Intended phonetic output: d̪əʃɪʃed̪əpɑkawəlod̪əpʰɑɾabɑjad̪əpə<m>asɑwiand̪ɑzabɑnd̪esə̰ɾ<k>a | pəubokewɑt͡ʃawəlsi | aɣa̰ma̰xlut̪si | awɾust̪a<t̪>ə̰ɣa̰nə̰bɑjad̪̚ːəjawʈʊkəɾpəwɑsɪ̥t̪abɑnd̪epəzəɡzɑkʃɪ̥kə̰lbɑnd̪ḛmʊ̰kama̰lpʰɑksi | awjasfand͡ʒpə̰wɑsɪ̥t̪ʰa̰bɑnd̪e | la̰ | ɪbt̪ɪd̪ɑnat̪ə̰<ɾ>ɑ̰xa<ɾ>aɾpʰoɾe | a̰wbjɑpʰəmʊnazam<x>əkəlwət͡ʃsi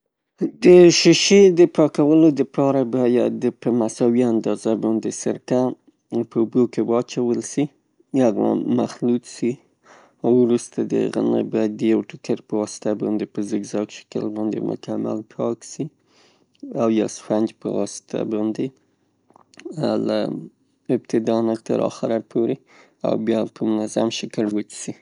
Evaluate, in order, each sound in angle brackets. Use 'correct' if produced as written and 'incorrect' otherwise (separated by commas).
correct, correct, incorrect, correct, correct, incorrect